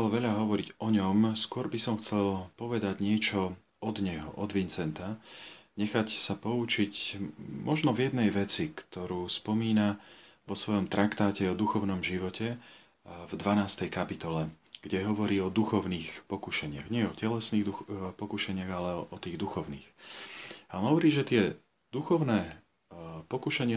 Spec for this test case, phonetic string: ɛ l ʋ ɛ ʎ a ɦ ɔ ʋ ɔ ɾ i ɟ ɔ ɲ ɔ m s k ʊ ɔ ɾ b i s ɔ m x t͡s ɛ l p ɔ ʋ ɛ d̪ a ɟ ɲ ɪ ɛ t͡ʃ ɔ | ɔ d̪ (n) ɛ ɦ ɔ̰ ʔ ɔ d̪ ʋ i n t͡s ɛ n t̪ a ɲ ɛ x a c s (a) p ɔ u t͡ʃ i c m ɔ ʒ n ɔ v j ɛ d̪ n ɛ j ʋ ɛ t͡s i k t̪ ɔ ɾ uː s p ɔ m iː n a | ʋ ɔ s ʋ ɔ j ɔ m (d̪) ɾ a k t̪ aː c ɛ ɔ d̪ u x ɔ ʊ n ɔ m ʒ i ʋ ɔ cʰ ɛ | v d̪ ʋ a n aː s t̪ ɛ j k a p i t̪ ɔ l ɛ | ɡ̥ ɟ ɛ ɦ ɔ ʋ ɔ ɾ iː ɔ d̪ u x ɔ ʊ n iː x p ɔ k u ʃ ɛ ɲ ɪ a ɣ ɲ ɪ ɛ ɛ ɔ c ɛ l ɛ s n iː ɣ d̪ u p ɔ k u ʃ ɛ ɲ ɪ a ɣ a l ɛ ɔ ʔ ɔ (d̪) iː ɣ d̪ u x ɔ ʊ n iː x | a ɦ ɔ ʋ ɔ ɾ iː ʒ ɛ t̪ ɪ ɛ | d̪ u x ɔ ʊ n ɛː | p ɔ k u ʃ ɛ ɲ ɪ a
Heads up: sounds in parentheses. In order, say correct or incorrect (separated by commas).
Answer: incorrect, correct, incorrect, incorrect